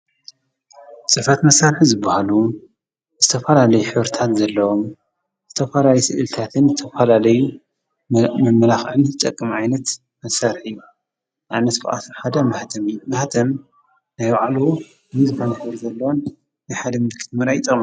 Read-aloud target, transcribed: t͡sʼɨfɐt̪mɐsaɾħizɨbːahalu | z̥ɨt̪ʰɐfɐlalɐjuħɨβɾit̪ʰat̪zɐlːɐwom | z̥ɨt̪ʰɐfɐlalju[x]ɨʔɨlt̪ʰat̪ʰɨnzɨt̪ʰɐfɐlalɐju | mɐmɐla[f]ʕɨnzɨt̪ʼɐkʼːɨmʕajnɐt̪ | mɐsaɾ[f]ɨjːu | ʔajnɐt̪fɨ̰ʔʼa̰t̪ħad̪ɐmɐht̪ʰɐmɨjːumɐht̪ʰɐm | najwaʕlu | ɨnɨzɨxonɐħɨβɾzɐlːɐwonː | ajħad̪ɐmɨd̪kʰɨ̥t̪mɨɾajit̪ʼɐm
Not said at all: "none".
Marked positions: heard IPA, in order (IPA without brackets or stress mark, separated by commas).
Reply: s, x, ħ